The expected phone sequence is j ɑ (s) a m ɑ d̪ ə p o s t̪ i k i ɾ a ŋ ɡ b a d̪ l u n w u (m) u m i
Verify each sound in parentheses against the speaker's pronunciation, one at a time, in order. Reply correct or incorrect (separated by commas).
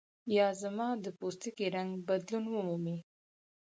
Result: incorrect, correct